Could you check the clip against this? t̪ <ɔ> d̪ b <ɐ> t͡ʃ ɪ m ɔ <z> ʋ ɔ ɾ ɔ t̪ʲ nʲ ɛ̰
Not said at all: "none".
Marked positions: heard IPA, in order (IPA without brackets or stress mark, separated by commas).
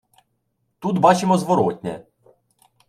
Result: u, ɑ, z